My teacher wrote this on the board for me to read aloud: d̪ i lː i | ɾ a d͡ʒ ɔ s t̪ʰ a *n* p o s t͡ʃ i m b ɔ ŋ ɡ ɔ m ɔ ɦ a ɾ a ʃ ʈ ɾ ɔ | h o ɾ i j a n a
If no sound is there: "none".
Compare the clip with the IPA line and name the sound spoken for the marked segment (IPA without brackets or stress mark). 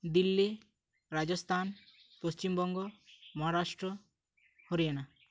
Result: n